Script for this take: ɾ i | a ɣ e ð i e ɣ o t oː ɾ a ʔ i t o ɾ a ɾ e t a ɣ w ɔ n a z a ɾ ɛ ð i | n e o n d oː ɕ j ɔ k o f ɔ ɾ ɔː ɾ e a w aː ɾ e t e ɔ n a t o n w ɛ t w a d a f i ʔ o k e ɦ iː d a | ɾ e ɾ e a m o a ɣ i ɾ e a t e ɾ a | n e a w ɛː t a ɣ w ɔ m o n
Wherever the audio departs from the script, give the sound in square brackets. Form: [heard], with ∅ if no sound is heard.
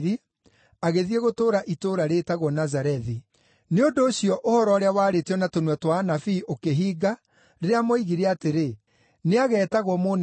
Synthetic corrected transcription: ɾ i | a ɣ e ð i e ɣ o t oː ɾ a ʔ i t o ɾ a ɾ e t a ɣ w ɔ n a z a ɾ ɛ ð i | n e o n d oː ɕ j ɔ [ʔ] o [h] ɔ ɾ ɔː ɾ e a w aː ɾ e t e ɔ n a t o n w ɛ t w a [n] a f i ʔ o k e ɦ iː [ɡ] a | ɾ e ɾ e a m o [i] ɣ i ɾ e a t e ɾ [e] | n e a [ɣ] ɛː t a ɣ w ɔ m o n